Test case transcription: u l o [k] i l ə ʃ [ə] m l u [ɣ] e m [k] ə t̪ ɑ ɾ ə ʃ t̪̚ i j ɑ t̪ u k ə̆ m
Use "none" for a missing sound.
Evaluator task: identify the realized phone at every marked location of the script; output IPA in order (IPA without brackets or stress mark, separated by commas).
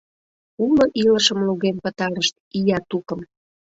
ʔ, ə, ɣ, p